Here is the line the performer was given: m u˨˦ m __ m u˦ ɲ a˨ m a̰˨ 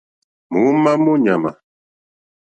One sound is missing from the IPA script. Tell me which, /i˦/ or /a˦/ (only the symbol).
a˦